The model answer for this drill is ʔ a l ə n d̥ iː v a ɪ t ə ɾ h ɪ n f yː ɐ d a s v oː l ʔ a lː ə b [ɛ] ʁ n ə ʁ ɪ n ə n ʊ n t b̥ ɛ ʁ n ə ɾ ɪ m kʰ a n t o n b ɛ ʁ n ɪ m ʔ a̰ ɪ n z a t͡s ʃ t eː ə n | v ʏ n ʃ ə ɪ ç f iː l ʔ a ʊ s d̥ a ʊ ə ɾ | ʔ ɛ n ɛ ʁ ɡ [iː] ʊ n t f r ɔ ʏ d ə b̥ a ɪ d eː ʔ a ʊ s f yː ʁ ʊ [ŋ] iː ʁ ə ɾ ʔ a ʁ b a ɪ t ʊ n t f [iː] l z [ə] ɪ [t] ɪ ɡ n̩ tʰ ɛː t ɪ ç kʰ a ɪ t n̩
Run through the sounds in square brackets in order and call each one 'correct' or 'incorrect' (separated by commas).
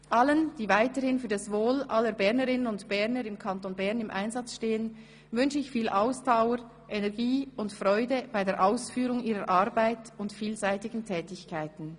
correct, correct, correct, correct, incorrect, correct